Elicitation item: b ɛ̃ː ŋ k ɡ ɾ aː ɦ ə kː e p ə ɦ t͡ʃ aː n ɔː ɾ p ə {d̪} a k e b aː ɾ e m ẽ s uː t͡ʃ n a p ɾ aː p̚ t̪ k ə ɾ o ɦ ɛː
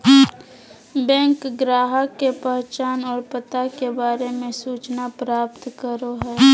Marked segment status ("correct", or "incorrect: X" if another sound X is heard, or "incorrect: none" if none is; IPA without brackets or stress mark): incorrect: t̪